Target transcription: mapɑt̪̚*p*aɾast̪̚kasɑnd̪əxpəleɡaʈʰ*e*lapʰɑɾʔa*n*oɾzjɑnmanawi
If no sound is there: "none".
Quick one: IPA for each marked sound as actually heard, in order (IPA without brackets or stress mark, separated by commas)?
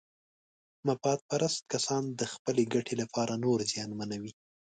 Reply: p, e, n